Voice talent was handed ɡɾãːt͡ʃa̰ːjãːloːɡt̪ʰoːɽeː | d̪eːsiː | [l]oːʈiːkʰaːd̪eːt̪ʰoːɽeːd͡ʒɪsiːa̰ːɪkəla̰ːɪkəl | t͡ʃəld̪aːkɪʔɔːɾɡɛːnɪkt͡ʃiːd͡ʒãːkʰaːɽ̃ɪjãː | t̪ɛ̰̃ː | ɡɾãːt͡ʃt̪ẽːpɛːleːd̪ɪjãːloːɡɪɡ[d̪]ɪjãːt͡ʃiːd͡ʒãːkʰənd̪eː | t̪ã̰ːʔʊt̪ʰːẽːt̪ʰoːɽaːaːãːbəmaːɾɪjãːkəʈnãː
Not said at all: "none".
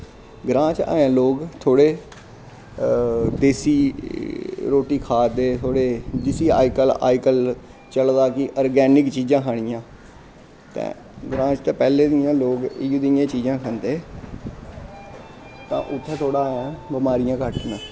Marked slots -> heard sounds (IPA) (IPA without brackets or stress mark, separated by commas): ɾ, d̪